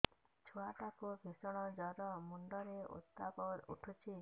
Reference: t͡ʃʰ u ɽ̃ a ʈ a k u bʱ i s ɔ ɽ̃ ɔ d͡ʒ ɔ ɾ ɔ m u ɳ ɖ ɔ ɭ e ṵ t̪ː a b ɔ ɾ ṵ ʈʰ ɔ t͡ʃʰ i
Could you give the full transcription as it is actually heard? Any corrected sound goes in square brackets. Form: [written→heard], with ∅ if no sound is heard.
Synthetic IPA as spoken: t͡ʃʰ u [ɽ̃→∅] a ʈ a k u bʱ i s ɔ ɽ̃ ɔ d͡ʒ ɔ ɾ ɔ m u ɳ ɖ ɔ [ɭ→ɾ] e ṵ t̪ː a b ɔ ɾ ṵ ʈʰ [ɔ→u] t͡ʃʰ i